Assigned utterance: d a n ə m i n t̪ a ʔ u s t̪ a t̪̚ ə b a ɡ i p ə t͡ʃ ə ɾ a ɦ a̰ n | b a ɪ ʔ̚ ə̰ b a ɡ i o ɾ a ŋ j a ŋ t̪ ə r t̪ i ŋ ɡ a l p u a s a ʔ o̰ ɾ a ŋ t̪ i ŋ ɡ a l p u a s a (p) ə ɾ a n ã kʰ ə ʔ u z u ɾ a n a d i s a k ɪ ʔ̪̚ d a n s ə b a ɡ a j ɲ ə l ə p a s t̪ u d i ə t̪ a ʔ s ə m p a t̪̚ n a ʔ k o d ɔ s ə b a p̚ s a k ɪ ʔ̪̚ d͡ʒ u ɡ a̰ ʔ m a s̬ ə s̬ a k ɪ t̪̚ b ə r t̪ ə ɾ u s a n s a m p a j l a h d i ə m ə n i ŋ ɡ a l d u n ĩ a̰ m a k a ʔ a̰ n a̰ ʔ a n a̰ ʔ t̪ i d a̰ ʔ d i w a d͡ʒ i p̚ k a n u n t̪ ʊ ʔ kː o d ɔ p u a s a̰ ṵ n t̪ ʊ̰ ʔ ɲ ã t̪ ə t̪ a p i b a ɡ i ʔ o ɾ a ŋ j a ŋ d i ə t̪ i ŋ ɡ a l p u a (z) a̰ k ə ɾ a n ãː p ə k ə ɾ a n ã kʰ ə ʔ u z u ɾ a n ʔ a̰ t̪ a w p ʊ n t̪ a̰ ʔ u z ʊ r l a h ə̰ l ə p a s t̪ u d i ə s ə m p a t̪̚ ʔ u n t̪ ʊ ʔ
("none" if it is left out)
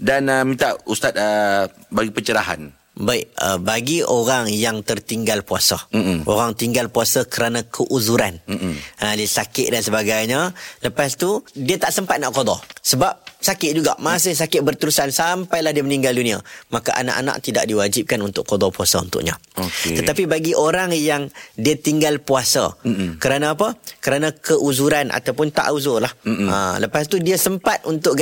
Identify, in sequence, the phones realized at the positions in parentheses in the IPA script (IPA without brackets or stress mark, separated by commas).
k, s